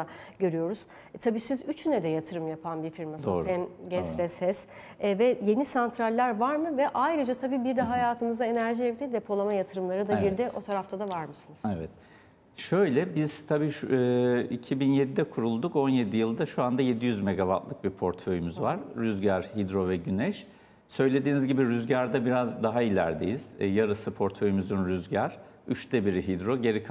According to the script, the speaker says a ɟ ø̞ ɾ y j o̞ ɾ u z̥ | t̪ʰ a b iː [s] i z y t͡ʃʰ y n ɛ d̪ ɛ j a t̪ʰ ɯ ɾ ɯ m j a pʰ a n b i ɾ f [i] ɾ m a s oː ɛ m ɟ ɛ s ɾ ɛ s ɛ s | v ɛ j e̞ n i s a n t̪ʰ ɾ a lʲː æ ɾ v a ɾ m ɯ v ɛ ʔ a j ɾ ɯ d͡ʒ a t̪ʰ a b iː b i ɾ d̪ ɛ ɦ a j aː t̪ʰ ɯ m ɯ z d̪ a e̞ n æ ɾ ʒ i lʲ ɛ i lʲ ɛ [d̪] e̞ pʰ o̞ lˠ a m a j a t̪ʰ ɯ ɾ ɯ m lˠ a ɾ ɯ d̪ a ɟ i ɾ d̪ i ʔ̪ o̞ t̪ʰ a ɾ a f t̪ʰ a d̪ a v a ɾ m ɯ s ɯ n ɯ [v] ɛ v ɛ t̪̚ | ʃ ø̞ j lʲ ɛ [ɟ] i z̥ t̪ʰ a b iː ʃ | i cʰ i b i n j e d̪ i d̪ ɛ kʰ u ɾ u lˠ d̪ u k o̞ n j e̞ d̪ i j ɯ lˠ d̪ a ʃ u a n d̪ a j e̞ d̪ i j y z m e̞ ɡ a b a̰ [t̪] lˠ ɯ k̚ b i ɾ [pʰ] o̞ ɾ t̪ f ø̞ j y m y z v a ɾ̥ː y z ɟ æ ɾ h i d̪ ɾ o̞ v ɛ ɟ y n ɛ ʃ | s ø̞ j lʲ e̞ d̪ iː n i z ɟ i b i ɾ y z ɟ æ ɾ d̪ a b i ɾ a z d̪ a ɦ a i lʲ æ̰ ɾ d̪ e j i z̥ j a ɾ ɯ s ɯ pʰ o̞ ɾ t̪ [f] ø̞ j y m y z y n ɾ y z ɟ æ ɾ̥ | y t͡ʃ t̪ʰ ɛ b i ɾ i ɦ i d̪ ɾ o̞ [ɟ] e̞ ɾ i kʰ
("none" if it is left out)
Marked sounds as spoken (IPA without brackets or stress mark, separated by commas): s, i, d̪, z, b, t̪, pʰ, f, ɟ